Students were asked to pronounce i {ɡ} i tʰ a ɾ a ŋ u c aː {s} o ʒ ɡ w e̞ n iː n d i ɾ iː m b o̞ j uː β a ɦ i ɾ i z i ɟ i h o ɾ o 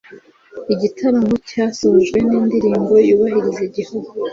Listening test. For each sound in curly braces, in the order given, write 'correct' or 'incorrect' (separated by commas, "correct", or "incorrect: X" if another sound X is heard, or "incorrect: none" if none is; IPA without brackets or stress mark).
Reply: incorrect: ɟ, correct